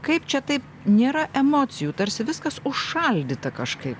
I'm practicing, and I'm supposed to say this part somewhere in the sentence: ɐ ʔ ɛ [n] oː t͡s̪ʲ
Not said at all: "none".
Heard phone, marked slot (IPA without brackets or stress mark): m